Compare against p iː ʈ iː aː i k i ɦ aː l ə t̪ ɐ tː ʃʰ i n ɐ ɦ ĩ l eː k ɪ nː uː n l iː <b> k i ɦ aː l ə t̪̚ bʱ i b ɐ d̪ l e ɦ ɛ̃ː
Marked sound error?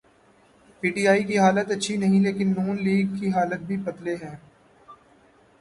yes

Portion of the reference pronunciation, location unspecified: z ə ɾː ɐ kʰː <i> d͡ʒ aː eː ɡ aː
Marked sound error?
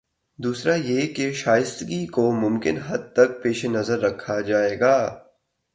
yes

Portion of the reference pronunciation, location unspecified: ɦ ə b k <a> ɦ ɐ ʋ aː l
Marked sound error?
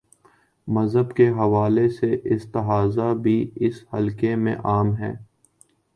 yes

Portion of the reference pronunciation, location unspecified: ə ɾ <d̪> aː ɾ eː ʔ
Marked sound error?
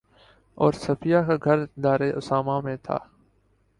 no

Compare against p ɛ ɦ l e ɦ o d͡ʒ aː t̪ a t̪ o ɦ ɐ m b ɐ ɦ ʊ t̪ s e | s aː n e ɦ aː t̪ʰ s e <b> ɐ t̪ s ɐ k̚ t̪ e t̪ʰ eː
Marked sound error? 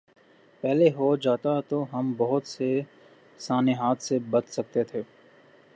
no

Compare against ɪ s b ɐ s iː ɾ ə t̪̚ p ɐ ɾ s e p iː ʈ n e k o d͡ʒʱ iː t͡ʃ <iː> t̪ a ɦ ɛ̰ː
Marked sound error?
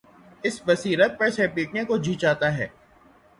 yes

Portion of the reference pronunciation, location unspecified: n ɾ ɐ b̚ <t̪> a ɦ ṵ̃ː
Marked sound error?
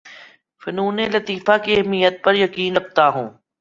no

